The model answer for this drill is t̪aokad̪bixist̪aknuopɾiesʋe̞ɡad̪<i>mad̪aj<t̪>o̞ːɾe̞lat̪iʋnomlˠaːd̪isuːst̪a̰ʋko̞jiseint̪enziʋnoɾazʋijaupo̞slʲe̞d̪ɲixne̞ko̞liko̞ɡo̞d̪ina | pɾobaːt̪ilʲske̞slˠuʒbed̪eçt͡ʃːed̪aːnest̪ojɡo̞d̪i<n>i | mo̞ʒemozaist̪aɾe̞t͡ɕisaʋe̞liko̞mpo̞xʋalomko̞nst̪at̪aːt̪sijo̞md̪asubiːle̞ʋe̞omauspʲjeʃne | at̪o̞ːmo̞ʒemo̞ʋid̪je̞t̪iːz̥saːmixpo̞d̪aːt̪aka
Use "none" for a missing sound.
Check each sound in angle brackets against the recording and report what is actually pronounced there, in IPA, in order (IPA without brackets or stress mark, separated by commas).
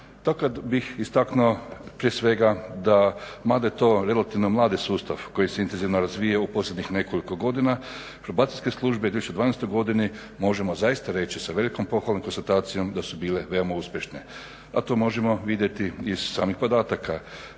a, t̪, n